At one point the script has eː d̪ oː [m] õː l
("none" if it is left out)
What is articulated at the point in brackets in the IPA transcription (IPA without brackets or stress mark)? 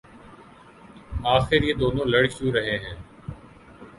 n